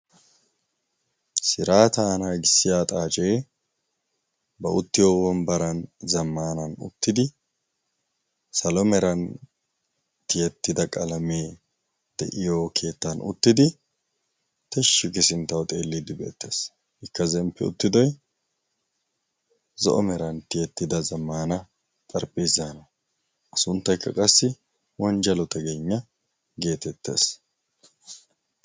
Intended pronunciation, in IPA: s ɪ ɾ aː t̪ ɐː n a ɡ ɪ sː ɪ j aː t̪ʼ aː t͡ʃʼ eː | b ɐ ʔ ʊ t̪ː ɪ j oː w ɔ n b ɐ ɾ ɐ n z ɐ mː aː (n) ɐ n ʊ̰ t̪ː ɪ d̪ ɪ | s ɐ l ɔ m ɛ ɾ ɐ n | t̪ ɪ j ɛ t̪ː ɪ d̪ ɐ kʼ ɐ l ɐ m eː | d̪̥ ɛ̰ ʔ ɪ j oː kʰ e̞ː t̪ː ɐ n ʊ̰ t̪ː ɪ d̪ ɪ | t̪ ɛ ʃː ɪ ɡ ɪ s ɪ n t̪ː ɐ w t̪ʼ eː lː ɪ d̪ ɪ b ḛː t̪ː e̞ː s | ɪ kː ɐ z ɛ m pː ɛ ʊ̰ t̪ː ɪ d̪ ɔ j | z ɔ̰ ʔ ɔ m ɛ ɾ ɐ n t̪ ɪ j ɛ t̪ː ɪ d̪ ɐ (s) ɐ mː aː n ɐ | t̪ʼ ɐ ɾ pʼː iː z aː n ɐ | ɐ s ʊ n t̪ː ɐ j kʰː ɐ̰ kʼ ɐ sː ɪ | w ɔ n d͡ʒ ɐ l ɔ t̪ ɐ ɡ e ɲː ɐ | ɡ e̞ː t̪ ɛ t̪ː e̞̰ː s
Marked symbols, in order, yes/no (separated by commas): yes, no